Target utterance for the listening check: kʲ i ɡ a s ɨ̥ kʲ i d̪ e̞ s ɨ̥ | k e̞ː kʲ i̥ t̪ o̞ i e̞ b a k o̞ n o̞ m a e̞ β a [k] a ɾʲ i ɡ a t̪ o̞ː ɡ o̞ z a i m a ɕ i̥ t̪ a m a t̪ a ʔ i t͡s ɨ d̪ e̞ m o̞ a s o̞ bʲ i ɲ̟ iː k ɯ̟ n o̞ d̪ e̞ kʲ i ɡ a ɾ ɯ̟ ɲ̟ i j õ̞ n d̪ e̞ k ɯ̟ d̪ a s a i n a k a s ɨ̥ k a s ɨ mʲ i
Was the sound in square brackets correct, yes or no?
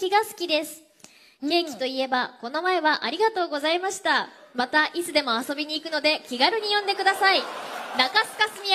no